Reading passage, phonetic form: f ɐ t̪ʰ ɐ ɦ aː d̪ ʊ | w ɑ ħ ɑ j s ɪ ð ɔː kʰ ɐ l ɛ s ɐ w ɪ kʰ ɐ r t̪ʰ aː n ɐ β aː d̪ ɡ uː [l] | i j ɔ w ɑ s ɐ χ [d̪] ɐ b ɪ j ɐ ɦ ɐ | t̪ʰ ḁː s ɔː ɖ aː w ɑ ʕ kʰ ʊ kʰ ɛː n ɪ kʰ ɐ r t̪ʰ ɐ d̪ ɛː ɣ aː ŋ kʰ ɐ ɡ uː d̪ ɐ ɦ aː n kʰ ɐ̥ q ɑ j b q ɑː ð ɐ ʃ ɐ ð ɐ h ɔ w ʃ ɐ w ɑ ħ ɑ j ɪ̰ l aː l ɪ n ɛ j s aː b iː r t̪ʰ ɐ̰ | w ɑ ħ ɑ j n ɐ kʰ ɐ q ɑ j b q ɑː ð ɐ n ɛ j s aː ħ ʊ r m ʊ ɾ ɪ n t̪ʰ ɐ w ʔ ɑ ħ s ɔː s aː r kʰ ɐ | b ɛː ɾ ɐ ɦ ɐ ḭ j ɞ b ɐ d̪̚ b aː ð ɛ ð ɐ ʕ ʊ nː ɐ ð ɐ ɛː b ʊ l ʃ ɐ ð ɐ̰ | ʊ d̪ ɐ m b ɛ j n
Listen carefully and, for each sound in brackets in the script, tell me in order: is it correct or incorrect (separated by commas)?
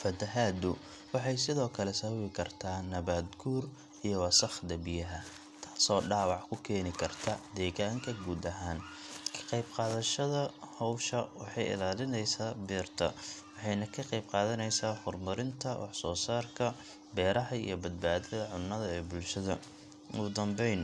incorrect, correct